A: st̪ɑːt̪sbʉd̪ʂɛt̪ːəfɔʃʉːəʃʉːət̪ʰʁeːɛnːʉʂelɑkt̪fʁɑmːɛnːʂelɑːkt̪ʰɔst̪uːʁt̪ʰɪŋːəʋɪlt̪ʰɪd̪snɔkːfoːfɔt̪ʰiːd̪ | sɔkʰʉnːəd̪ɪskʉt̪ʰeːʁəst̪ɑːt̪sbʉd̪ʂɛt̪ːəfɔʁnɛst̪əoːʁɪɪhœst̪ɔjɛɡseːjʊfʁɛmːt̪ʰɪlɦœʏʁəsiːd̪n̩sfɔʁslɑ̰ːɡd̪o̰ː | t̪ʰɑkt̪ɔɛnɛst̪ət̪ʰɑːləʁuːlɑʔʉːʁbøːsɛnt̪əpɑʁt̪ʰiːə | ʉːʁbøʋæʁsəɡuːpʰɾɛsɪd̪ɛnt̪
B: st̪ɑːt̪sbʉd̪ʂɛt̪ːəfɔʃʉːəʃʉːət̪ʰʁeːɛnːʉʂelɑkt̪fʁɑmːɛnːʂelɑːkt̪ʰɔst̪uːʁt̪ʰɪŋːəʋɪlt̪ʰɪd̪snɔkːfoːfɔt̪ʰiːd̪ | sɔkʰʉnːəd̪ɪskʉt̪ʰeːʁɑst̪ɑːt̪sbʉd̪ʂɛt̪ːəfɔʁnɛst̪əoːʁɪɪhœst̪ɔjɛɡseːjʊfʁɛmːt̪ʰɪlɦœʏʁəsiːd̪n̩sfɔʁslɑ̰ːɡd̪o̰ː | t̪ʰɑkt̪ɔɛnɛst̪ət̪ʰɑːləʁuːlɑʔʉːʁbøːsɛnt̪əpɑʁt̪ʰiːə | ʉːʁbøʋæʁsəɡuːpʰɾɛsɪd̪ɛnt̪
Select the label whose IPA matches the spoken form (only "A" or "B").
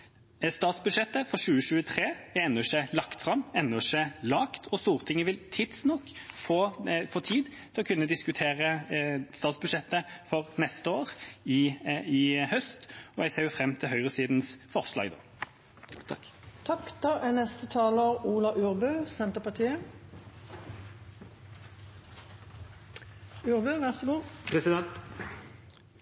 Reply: A